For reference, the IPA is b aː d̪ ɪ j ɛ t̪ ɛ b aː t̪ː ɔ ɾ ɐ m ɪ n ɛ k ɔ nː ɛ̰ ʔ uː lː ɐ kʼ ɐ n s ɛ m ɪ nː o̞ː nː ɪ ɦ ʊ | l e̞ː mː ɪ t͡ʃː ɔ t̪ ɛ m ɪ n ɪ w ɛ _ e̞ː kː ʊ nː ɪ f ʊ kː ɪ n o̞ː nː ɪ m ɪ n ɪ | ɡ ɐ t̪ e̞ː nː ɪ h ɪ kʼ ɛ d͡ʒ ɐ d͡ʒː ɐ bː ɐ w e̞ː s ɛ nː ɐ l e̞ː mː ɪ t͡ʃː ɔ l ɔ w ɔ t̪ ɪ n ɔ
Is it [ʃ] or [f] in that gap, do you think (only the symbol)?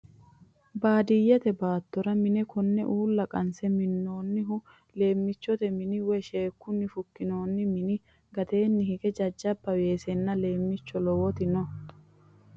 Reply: ʃ